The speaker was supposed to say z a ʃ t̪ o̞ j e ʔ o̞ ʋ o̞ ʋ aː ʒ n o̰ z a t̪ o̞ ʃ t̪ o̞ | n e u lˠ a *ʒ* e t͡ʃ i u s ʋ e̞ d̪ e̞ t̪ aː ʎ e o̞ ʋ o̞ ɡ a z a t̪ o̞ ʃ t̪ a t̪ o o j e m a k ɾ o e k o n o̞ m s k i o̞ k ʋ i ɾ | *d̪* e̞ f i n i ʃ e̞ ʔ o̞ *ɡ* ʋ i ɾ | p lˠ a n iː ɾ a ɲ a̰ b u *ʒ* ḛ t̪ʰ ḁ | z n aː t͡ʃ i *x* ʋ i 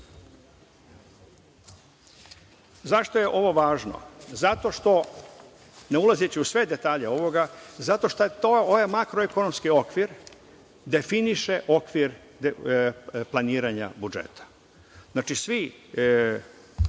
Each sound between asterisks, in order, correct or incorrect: incorrect, correct, incorrect, incorrect, incorrect

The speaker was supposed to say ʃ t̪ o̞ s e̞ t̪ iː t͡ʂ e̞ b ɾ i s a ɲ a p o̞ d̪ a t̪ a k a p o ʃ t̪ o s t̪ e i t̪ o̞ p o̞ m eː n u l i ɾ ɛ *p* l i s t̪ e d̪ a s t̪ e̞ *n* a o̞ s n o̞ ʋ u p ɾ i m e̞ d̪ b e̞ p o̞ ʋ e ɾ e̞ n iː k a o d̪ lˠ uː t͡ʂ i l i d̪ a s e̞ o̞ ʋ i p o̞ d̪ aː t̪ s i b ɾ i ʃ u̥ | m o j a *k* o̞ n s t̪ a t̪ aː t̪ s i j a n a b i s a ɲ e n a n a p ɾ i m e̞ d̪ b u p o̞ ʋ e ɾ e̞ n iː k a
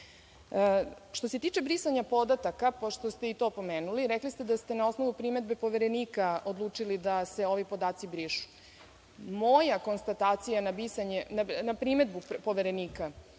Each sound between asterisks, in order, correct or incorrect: incorrect, correct, correct

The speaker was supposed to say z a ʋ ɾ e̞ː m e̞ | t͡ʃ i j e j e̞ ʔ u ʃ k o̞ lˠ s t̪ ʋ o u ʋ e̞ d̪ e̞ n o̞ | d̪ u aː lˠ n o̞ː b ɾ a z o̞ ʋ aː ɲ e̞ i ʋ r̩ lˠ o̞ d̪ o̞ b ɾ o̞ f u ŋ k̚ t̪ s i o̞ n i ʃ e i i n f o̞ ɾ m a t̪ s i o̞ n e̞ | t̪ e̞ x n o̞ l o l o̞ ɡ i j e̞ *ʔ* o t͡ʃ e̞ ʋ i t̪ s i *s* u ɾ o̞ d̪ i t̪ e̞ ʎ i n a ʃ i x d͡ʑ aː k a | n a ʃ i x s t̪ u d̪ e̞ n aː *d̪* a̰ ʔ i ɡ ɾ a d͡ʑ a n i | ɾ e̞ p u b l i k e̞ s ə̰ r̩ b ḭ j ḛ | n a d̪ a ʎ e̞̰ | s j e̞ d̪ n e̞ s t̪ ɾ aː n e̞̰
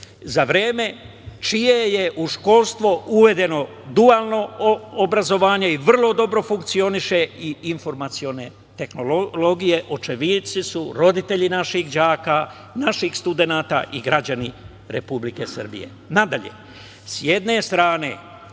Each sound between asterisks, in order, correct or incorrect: correct, correct, incorrect

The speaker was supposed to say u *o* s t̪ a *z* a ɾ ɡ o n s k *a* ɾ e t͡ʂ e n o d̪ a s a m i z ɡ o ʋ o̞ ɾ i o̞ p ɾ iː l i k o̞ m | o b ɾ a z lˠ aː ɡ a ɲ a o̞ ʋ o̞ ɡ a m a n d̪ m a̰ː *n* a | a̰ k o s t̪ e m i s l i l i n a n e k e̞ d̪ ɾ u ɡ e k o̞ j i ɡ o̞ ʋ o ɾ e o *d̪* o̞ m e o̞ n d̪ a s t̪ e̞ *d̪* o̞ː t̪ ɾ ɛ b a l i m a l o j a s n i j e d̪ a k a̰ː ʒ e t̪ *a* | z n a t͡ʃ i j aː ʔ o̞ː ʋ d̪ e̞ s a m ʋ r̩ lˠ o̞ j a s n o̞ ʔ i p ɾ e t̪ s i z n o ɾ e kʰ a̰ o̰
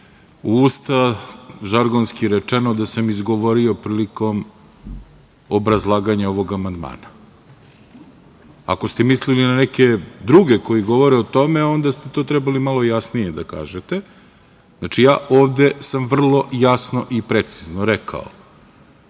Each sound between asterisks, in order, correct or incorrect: incorrect, incorrect, incorrect, correct, incorrect, incorrect, incorrect

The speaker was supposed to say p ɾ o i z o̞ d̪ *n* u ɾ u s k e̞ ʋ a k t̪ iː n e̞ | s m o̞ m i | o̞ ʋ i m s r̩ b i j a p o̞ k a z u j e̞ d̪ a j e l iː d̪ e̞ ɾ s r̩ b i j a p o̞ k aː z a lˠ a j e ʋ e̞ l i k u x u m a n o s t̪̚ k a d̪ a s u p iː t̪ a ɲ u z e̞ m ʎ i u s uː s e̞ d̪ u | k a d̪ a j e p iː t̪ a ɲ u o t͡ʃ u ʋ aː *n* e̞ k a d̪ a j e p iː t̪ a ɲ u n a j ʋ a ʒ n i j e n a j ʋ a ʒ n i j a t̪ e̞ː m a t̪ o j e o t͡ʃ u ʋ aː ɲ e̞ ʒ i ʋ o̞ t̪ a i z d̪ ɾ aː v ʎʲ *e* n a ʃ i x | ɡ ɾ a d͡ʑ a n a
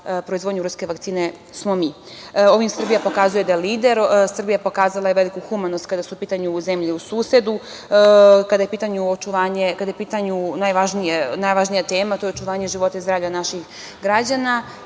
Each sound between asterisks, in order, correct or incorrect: incorrect, incorrect, incorrect

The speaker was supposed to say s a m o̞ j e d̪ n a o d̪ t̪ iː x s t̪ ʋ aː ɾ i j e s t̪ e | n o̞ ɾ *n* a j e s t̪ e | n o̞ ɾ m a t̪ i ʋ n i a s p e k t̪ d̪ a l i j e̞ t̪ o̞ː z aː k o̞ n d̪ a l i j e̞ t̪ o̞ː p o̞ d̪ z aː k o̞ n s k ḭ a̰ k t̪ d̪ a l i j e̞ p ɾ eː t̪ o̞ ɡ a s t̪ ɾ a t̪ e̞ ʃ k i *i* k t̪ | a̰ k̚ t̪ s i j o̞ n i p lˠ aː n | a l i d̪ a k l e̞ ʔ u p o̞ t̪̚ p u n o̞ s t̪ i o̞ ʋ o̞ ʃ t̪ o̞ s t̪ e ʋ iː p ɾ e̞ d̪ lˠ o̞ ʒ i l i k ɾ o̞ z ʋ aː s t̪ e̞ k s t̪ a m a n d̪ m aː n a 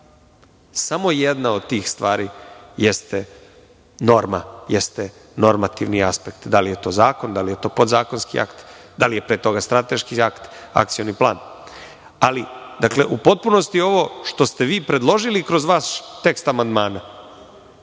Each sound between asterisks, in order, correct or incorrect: incorrect, incorrect

